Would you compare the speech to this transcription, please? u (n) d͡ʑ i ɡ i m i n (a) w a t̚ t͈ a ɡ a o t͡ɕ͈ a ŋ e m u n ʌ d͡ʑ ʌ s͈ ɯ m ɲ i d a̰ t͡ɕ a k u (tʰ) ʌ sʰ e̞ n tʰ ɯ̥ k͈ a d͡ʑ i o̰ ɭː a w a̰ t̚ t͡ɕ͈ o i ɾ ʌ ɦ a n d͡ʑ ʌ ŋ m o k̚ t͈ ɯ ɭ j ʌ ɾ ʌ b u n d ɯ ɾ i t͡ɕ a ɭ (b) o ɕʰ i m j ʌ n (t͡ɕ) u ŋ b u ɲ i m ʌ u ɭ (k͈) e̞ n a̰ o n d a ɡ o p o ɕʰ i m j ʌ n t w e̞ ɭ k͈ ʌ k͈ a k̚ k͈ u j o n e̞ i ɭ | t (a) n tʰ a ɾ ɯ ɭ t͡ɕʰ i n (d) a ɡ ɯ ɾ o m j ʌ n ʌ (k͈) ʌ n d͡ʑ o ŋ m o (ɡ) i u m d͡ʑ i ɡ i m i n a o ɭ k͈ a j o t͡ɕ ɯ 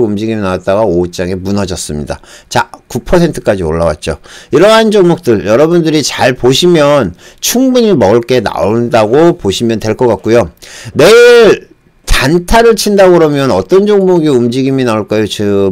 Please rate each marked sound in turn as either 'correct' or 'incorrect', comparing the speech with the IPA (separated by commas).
incorrect, correct, incorrect, incorrect, incorrect, correct, correct, correct, incorrect, correct